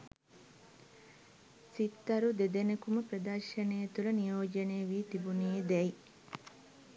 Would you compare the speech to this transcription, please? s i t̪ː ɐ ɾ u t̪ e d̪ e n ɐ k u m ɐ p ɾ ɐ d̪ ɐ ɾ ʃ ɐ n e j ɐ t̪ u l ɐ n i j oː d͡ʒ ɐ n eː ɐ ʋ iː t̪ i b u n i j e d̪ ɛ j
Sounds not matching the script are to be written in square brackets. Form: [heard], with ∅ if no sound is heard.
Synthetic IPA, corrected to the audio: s i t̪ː ɐ ɾ u [d̪] e d̪ e n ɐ k u m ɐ p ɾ ɐ d̪ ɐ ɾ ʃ ɐ n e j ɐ t̪ u l ɐ n i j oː d͡ʒ ɐ n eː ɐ ʋ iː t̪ i b u n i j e d̪ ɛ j